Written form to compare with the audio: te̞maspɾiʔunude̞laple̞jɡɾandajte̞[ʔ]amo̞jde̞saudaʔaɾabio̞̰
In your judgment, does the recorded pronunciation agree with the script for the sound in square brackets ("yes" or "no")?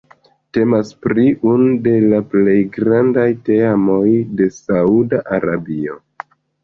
no